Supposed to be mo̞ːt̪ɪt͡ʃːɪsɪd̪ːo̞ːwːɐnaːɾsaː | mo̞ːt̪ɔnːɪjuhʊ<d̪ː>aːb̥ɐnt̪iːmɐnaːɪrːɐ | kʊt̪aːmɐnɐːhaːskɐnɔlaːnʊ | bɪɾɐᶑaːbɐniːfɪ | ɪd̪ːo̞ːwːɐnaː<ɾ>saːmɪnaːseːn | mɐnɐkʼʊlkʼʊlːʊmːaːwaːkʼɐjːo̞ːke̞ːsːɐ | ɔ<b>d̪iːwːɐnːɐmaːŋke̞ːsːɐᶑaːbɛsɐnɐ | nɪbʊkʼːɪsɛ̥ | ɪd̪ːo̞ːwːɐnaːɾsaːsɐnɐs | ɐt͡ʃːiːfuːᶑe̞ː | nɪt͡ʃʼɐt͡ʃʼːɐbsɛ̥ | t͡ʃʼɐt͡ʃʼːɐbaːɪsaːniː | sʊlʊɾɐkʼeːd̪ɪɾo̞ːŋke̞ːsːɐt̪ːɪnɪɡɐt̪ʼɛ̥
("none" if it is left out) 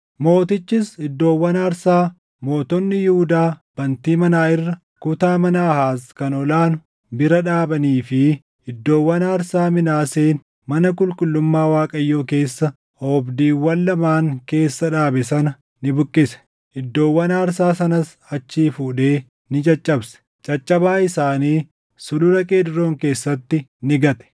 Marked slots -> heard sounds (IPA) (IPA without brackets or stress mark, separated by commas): d̪, ɾ, b